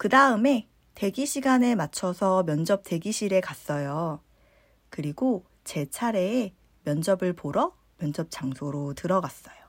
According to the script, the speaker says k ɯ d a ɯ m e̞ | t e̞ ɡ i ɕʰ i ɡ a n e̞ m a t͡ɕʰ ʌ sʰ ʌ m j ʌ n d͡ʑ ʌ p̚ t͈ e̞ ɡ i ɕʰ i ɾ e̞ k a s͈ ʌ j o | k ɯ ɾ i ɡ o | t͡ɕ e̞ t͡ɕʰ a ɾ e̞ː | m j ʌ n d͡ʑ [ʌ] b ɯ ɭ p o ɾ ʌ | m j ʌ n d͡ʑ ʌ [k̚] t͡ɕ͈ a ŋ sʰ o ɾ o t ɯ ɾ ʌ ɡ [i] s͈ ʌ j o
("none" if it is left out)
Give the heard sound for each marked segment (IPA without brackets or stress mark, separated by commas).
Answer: ʌ, p̚, a